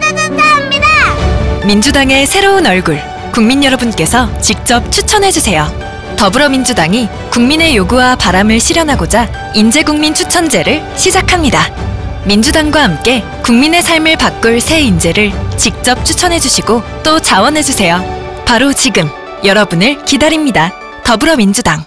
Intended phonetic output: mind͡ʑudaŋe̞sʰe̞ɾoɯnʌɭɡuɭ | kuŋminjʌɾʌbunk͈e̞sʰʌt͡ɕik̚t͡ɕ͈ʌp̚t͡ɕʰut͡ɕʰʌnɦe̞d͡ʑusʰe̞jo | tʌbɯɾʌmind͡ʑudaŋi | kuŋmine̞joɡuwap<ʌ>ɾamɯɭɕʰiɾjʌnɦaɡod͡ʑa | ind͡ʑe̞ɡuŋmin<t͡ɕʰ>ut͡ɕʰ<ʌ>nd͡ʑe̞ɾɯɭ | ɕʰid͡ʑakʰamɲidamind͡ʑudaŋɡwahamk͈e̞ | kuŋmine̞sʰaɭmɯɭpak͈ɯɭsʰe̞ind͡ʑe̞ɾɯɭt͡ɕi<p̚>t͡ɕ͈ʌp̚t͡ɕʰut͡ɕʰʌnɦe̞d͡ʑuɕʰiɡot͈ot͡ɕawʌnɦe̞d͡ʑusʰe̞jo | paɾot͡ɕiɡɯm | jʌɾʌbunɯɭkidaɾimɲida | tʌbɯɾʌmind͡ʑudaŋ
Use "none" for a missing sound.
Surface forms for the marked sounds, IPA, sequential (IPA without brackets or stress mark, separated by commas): a, t͡ɕʰ, ʌ, k̚